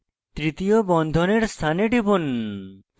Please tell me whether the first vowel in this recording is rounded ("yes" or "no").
no